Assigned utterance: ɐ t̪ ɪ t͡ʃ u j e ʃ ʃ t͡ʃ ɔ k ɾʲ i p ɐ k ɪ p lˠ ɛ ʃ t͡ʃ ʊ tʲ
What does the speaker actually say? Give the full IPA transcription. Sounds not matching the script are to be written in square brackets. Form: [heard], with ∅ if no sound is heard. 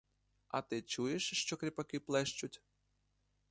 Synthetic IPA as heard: ɐ t̪ ɪ t͡ʃ u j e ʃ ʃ t͡ʃ ɔ k ɾʲ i p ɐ k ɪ p lˠ ɛ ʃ t͡ʃ ʊ tʲ